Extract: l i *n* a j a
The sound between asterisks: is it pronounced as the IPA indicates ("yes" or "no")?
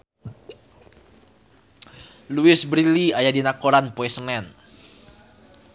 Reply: no